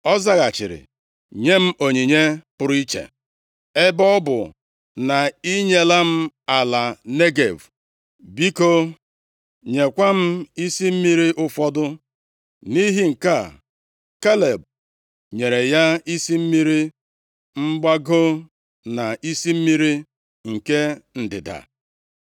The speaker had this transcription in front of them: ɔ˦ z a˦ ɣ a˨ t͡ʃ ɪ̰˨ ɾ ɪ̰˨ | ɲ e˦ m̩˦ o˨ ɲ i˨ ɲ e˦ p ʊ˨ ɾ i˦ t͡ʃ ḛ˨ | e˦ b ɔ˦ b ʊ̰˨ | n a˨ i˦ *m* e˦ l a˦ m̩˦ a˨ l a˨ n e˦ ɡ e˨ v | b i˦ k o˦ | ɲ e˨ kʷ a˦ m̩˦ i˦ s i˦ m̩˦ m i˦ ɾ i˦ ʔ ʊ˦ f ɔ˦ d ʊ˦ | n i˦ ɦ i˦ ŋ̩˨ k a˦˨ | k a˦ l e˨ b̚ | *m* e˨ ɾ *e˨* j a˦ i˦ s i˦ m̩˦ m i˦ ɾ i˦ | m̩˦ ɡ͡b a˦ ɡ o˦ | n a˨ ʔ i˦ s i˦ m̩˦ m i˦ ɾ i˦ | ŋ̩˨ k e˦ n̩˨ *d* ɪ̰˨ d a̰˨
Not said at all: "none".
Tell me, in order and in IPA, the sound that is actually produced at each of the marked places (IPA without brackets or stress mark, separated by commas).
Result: ɲ, ɲ, e˨, d